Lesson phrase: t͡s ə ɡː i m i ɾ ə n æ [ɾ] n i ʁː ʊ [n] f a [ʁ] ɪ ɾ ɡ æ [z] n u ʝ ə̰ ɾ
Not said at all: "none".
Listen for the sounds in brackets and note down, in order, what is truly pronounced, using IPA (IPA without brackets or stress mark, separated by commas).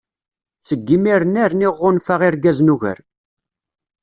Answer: ɾ, n, ʁ, z